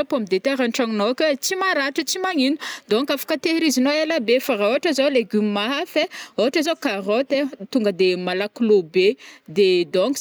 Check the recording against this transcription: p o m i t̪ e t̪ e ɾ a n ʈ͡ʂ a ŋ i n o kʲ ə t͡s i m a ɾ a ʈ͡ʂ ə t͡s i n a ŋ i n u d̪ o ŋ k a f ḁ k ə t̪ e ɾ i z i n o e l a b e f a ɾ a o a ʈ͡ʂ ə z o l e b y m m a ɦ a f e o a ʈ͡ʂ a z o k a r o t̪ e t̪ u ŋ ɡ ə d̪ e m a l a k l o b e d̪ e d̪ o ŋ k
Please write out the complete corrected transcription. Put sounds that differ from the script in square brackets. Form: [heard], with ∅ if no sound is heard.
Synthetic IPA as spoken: p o m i [d̪] e t̪ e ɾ a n ʈ͡ʂ a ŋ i n o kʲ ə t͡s i m a ɾ a ʈ͡ʂ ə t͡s i [m] a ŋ i n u d̪ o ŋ k a f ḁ k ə t̪ e ɾ i z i n o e l a b e f a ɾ a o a ʈ͡ʂ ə z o l e [ɡ] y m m a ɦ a f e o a ʈ͡ʂ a z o k a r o t̪ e t̪ u ŋ ɡ ə d̪ e m a l a k l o b e d̪ e d̪ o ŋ k